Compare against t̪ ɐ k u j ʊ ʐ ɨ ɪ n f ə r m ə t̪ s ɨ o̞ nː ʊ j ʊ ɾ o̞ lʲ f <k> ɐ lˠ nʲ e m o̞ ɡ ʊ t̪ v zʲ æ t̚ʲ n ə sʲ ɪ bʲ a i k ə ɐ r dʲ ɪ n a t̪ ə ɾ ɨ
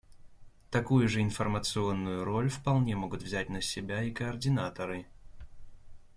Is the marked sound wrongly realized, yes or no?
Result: yes